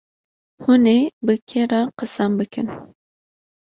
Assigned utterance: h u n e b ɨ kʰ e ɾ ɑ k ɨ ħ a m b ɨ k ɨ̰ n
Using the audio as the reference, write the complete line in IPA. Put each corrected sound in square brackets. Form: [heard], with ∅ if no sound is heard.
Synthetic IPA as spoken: h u n e b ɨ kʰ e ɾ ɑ [q] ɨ [s] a m b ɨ k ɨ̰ n